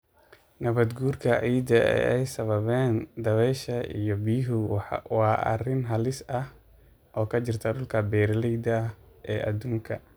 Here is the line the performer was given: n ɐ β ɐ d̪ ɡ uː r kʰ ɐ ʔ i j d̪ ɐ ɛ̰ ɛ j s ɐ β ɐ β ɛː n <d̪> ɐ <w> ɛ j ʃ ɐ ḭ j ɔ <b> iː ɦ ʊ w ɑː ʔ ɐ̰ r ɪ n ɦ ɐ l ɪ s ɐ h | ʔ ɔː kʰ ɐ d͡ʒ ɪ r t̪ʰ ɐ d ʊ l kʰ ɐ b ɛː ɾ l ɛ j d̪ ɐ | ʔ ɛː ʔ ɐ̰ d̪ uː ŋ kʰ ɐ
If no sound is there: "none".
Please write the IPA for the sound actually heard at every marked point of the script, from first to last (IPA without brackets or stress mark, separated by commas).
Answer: d̪, β, b